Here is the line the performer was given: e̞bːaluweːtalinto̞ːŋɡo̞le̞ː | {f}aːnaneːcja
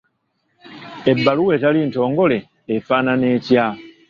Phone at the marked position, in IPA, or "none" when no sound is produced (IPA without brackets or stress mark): f